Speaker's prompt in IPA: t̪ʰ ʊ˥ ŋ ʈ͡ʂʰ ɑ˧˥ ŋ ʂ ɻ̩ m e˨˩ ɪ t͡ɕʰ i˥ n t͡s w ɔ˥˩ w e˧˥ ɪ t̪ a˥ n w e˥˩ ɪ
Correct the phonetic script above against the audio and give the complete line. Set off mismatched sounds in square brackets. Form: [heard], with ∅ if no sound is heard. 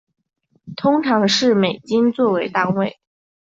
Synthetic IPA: t̪ʰ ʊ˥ ŋ ʈ͡ʂʰ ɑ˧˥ ŋ ʂ ɻ̩ m e˨˩ ɪ [t͡ɕ] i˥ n t͡s w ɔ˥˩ w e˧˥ ɪ t̪ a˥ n w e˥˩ ɪ